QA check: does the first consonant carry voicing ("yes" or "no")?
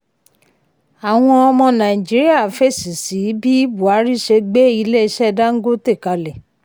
yes